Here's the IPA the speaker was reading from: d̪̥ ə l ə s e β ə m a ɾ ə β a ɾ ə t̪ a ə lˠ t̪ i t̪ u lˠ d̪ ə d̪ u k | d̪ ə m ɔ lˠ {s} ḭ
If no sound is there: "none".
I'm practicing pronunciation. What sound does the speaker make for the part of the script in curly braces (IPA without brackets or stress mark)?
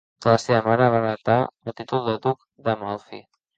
f